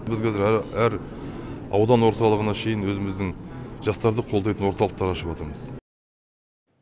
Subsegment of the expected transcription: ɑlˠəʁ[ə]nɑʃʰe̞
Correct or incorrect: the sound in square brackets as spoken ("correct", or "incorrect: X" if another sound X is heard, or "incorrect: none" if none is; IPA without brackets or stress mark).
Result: correct